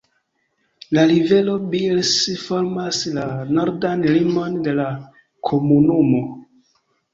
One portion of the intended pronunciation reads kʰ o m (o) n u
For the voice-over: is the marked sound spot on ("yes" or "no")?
no